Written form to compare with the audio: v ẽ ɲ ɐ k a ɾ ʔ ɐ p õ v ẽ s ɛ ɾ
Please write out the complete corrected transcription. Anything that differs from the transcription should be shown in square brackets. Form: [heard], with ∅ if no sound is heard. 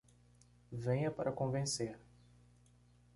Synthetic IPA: v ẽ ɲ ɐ [p] a ɾ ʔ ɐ [k] õ v ẽ s [e] ɾ